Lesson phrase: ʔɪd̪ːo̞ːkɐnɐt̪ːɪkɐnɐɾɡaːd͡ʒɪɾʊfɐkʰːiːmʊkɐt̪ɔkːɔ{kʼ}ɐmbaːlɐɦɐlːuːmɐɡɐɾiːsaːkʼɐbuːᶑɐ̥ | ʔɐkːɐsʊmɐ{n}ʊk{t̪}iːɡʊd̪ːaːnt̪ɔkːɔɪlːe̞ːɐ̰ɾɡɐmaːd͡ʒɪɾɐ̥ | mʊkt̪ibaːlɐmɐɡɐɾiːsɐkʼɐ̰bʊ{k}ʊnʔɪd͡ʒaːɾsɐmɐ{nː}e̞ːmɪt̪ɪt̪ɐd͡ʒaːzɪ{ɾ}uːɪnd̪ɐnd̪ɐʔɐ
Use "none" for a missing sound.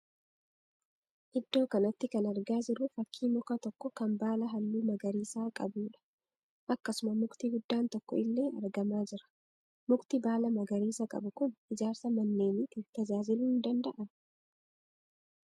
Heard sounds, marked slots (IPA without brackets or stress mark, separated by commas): k, m, t̪, k, nː, l